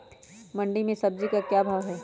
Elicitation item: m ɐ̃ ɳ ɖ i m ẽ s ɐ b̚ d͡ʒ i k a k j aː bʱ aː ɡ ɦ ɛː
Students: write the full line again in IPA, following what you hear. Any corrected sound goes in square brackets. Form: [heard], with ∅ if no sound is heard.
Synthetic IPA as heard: m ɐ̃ ɳ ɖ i m ẽ s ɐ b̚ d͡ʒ i k a k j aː bʱ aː ɡ ɦ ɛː

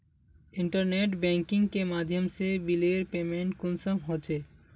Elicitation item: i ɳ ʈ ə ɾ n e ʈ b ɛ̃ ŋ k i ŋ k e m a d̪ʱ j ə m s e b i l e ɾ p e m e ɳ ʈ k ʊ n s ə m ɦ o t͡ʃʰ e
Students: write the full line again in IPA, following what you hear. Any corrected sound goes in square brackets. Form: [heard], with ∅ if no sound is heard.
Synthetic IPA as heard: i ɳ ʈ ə ɾ n e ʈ b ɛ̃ ŋ k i ŋ k e m a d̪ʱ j ə m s e b i l e ɾ p e m e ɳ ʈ k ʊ n s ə m ɦ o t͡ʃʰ e

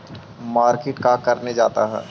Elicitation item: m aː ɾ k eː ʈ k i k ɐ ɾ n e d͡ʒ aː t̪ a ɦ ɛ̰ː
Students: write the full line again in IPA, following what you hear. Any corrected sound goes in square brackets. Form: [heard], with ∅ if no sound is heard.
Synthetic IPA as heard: m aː ɾ k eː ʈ k [a] k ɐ ɾ n e d͡ʒ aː t̪ a ɦ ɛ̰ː

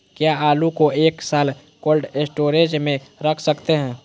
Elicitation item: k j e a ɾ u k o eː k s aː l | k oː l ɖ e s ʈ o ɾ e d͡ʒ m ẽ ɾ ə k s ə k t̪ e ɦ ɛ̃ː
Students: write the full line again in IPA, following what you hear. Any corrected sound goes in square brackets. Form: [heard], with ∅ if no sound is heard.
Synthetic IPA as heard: k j [a] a [l] u k o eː k s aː l | k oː l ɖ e s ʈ o ɾ e d͡ʒ m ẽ ɾ ə [kʰ] s ə k t̪ e ɦ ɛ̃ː

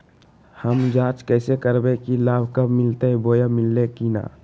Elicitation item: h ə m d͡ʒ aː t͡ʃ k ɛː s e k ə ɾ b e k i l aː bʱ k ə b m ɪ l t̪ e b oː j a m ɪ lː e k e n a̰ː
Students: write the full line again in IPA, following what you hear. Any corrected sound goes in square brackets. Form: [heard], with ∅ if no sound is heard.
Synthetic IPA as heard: h ə m d͡ʒ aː t͡ʃ k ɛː s e k ə ɾ b e k i l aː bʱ k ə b m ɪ l t̪ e b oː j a m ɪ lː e k [i] n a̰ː

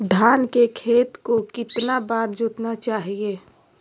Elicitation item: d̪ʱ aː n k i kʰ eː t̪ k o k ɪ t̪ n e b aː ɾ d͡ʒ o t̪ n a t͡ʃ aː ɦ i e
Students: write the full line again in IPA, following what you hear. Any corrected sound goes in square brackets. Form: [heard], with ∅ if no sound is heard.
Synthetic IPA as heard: d̪ʱ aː n k [e] kʰ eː t̪ k o k ɪ t̪ n [a] b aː ɾ d͡ʒ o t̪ n a t͡ʃ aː ɦ i e

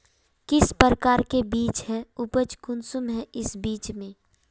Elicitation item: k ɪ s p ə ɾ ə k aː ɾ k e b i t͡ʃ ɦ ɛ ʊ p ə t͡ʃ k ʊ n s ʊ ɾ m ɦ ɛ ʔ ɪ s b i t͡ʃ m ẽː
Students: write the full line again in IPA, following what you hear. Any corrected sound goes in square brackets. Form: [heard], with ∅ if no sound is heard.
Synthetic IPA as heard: k ɪ s p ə ɾ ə k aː ɾ k e b [iː] t͡ʃ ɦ ɛ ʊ p ə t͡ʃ k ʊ n s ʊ [∅] m ɦ ɛ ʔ ɪ s b [iː] t͡ʃ m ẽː

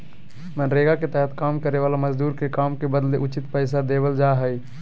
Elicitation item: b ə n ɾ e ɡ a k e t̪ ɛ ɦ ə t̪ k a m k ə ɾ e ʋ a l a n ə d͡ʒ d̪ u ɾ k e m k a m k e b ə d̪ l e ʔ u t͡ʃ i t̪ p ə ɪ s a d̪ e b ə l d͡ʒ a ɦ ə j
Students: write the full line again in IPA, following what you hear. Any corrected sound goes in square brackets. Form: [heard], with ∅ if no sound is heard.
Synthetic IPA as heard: [m] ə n ɾ e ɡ a k e t̪ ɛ ɦ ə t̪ k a m k ə ɾ e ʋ a l a [m] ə d͡ʒ d̪ u ɾ k e [∅] k a m k e b ə d̪ l e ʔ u t͡ʃ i t̪ p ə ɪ s a d̪ e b ə l d͡ʒ a ɦ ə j

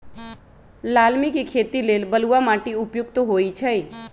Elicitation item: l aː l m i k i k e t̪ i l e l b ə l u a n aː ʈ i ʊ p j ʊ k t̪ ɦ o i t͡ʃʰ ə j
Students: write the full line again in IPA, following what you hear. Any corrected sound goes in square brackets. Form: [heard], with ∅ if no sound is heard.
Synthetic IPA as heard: l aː l m i k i [kʰ] e t̪ i l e l b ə l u a [m] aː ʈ i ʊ p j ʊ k t̪ ɦ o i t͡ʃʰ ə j

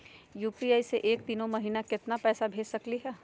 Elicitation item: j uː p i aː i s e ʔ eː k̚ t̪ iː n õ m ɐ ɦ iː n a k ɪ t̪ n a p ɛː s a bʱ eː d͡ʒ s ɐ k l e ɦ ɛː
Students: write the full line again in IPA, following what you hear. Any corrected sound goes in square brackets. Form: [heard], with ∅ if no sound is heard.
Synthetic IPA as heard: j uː p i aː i s e ʔ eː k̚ t̪ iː n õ m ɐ ɦ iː n a k ɪ t̪ n a p ɛː s a bʱ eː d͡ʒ s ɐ k l [i] ɦ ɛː

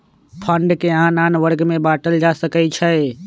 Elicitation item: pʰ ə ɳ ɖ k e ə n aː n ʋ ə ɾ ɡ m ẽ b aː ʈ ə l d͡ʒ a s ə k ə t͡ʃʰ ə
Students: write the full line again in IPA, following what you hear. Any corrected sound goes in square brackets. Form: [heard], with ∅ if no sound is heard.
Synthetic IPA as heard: pʰ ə ɳ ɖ k e [a] n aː n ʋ ə ɾ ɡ m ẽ b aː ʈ ə l d͡ʒ a s ə k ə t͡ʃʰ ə

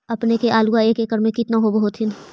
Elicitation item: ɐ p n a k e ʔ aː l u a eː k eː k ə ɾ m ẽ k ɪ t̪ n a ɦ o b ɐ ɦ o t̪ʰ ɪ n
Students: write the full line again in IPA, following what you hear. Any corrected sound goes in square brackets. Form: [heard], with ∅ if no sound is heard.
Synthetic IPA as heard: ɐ p n [e] k e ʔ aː l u a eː k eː k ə ɾ m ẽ k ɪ t̪ n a ɦ o b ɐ ɦ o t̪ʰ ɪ n

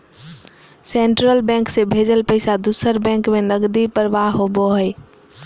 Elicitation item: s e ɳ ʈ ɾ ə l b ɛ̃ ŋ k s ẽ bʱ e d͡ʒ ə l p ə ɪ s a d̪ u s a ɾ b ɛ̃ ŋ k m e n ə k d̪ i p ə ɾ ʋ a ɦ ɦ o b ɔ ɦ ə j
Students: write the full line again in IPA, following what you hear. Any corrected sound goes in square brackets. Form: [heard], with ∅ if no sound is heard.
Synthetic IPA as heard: s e ɳ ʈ ɾ ə l b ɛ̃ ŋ k s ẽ bʱ e d͡ʒ ə l p ə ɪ s a d̪ u s [ə] ɾ b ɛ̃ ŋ k m e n ə [ɡ] d̪ i p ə ɾ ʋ a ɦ ɦ o b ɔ ɦ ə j

